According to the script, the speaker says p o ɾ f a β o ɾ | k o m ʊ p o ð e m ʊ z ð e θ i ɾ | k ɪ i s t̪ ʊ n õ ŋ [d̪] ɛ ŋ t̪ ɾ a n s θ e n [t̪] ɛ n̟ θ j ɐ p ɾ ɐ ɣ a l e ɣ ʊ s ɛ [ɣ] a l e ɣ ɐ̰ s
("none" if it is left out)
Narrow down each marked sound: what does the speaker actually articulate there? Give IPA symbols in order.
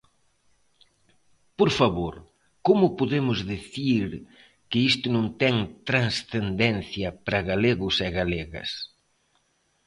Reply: t̪, d̪, ɣ

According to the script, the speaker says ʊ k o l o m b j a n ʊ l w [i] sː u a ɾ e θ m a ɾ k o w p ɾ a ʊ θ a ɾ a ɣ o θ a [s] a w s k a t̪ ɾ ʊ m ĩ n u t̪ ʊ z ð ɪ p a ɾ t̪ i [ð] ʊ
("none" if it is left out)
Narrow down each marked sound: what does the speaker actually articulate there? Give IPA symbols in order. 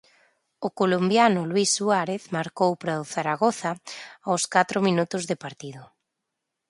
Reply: i, none, ð

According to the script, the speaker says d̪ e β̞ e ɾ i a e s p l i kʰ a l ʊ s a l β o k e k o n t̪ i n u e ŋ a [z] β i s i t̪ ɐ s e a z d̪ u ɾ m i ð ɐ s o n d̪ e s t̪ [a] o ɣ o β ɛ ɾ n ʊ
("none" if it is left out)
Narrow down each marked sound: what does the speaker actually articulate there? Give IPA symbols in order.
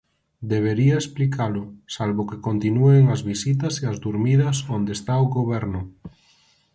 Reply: z, a

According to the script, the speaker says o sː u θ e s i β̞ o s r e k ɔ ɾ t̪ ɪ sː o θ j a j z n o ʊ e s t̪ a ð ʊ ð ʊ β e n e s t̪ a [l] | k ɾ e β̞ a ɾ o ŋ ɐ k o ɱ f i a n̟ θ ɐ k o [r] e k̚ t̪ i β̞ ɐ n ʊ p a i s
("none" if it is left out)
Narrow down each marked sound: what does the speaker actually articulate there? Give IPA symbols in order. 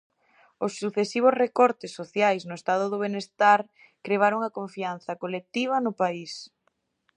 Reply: ɾ, l

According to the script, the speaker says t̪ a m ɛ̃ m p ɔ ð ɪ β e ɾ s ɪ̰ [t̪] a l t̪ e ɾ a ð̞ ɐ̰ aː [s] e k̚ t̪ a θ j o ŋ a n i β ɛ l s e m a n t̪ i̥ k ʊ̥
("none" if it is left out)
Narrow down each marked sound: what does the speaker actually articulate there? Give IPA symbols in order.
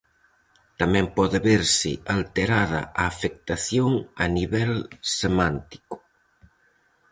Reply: none, f

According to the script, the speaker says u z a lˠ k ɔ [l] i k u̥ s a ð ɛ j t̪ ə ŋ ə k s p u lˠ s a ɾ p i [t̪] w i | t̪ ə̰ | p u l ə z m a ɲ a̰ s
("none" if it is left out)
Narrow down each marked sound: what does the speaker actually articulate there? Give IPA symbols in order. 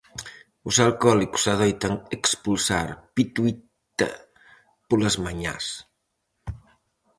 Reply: l, t̪

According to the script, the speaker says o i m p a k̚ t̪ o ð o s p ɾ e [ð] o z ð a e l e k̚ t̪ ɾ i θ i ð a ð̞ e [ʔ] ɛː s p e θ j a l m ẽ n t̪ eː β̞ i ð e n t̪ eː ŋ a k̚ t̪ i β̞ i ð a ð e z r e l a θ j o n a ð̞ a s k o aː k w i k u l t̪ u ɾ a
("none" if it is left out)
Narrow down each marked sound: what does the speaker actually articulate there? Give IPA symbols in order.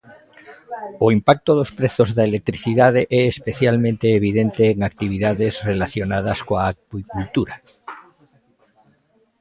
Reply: θ, ʔ

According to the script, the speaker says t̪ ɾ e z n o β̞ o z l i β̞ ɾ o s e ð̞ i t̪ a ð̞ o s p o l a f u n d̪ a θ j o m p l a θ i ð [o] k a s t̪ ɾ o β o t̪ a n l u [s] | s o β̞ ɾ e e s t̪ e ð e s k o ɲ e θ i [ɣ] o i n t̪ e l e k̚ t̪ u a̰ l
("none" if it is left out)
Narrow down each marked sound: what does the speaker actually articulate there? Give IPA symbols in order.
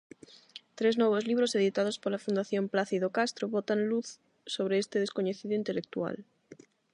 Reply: o, θ, ð

